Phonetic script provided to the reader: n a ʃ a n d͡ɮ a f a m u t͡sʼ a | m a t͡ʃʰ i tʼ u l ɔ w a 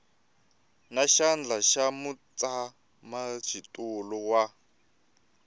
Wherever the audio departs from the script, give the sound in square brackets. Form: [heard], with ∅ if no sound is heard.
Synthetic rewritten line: n a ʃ a n d͡ɮ a [ʃ] a m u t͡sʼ a | m a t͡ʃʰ i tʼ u l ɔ w a